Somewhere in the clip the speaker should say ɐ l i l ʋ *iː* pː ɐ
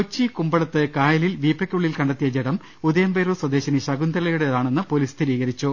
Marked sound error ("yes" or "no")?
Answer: no